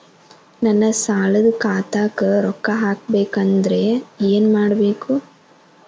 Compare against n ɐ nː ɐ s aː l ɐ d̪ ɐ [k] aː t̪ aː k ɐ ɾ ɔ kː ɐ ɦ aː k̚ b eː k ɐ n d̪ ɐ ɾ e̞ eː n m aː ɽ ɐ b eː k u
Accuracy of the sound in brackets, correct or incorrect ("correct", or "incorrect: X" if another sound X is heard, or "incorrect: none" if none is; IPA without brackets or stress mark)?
correct